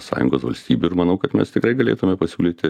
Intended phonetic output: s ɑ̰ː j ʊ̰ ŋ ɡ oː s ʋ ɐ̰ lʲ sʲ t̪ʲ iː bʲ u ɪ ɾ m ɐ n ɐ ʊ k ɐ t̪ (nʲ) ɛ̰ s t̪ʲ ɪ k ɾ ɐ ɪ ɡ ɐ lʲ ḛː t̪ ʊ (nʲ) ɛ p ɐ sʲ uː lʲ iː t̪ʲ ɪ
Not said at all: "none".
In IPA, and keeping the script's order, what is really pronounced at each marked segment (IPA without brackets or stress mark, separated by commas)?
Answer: mʲ, mʲ